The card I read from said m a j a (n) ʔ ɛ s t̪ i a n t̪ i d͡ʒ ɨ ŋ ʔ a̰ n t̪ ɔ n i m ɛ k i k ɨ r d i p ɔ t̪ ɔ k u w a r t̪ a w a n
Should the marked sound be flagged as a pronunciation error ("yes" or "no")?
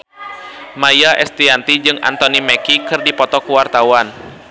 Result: yes